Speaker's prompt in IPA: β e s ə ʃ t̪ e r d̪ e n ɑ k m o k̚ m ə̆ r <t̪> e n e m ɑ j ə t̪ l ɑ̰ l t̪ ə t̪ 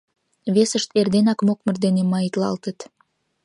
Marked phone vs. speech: incorrect: d̪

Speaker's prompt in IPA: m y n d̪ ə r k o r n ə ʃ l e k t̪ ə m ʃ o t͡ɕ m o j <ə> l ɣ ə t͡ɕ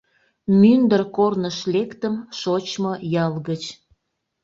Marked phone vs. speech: incorrect: ɑ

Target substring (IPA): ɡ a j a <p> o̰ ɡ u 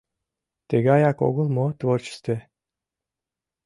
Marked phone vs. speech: incorrect: k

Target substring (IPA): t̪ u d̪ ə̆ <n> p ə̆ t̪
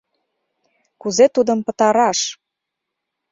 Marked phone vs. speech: incorrect: m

